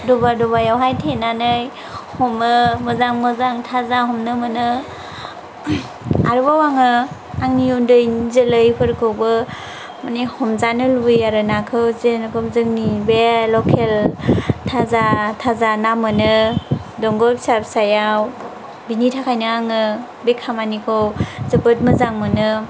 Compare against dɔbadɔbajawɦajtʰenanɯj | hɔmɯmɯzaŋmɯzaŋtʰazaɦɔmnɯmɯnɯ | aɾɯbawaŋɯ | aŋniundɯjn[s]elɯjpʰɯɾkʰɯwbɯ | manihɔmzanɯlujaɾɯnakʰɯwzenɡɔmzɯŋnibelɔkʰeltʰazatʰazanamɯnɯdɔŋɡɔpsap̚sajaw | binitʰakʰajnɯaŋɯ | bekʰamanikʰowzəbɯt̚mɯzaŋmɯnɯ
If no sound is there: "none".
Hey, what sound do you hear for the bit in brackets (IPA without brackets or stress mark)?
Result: z